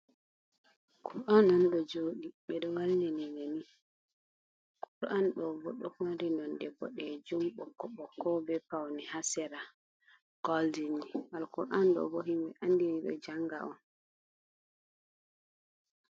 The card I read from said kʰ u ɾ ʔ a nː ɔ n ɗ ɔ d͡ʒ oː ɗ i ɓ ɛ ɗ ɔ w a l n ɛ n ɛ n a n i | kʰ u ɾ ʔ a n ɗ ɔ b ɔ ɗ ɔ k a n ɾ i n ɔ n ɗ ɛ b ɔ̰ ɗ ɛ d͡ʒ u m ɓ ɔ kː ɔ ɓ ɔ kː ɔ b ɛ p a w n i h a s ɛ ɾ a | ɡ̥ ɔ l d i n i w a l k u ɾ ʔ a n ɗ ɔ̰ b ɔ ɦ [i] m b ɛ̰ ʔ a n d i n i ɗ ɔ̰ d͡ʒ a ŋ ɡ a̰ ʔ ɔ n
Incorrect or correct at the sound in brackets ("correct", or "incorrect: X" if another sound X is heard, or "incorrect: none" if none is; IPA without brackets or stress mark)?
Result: correct